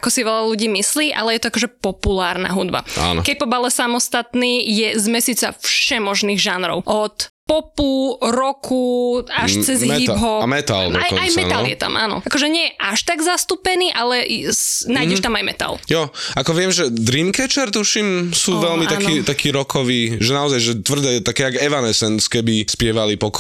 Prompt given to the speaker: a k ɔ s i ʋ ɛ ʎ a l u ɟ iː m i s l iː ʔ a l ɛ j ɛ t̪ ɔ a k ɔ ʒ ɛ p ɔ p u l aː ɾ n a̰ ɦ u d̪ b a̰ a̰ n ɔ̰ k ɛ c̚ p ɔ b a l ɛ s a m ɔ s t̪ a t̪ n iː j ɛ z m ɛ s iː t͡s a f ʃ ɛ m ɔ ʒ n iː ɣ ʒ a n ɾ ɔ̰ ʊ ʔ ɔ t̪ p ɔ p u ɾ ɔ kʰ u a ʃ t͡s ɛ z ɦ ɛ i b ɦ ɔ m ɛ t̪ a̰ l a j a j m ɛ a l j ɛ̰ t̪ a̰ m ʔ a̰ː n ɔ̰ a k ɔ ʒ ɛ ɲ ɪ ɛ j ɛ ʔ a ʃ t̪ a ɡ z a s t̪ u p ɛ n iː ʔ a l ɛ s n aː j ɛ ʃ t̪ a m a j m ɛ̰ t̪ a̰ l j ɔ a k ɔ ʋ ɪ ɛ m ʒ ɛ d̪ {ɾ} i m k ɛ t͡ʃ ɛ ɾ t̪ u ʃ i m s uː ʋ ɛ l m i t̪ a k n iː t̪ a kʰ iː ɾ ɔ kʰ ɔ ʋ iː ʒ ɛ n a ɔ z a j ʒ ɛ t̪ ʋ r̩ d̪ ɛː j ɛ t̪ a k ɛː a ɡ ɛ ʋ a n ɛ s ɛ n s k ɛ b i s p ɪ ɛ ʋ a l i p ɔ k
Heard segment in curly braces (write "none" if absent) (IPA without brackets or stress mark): ɾ